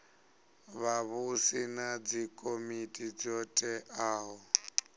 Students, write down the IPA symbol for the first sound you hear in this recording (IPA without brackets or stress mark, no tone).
β